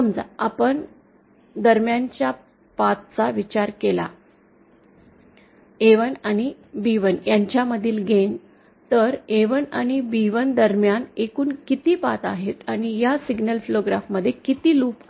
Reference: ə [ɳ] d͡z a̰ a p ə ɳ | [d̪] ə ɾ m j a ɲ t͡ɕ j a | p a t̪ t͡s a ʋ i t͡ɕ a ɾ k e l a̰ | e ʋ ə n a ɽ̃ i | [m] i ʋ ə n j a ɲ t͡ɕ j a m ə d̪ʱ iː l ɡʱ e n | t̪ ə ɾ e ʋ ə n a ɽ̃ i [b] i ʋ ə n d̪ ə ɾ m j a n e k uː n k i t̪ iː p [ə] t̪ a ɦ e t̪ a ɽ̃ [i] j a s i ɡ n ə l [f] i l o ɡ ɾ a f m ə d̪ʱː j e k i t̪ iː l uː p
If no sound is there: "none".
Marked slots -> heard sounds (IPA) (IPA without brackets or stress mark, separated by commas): m, d̪, b, b, a, i, f